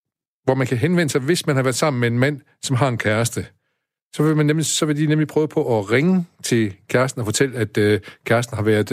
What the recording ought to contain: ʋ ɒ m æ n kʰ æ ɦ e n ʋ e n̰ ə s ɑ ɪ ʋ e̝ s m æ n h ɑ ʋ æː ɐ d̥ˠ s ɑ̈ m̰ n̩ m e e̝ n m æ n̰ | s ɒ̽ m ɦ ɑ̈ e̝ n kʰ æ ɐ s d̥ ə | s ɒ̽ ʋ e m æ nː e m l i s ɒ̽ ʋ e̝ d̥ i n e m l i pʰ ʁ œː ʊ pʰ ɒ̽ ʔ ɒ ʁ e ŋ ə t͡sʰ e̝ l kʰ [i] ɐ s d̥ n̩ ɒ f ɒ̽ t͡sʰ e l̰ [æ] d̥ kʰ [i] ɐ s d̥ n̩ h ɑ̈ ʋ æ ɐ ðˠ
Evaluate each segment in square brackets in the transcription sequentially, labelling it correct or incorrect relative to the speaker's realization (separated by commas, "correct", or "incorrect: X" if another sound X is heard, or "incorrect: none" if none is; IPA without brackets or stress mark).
incorrect: æ, correct, incorrect: æ